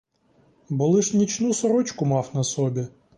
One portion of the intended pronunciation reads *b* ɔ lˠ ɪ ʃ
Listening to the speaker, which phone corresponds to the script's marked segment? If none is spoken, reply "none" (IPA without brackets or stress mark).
b